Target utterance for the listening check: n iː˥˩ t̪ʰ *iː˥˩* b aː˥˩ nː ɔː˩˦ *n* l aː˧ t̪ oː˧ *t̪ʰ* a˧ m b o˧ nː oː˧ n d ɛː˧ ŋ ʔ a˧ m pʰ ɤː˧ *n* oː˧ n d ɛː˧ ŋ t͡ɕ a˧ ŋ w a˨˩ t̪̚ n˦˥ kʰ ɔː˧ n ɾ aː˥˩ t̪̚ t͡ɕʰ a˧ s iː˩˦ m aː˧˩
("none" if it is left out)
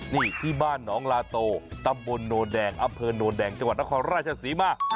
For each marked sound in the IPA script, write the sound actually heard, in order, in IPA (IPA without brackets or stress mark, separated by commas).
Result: iː˥˩, ŋ, t̪, n